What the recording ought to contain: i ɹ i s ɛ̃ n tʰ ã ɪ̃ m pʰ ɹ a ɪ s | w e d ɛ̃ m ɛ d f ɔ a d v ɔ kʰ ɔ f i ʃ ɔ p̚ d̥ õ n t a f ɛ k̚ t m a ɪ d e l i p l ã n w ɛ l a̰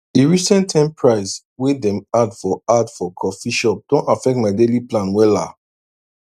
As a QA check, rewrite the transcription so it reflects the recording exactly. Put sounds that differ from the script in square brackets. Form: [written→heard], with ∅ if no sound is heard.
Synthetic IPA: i ɹ i s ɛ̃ n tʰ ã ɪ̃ m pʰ ɹ a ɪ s | w e d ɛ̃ m [ɛ→a] d f ɔ a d [v→f] ɔ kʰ ɔ f i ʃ ɔ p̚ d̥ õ n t a f ɛ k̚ t m a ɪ d e l i p l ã n w ɛ l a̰